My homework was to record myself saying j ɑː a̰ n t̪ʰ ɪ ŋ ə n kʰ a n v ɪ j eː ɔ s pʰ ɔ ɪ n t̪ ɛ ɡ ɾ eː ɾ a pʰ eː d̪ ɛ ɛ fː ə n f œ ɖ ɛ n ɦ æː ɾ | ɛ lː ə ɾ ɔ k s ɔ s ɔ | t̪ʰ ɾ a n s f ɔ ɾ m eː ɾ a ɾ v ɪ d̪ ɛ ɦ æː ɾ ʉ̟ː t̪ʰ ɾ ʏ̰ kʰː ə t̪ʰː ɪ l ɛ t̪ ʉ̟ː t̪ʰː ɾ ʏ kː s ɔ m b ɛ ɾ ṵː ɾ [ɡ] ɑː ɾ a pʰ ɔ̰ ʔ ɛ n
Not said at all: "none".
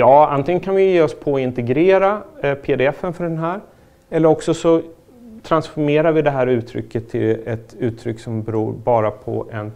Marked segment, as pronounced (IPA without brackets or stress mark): b